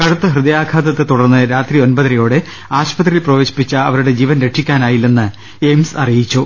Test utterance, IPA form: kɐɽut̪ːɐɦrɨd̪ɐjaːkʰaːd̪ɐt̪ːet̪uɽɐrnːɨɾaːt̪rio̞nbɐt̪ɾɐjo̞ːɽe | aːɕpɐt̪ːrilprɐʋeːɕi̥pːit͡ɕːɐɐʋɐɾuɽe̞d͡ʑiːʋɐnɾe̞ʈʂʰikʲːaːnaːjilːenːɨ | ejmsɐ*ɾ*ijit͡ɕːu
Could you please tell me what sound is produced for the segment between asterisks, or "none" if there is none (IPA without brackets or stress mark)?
r